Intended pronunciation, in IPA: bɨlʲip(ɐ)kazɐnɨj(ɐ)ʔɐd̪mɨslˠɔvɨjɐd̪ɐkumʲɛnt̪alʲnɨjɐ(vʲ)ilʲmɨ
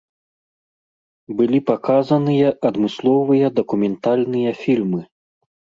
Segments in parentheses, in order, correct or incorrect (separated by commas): incorrect, correct, incorrect